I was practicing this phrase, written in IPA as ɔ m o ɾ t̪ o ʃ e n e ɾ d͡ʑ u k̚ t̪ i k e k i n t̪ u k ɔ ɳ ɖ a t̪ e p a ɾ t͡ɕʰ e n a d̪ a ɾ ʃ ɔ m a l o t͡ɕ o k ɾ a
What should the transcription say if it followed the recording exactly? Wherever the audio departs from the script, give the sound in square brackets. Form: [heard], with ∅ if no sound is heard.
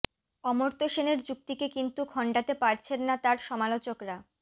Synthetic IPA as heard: ɔ m o ɾ t̪ o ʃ e n e ɾ d͡ʑ u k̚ t̪ i k e k i n t̪ u [kʰ] ɔ ɳ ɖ a t̪ e p a ɾ t͡ɕʰ e [nː] a [t̪] a ɾ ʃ ɔ m a l o t͡ɕ o k ɾ a